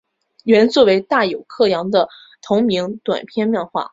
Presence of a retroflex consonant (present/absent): absent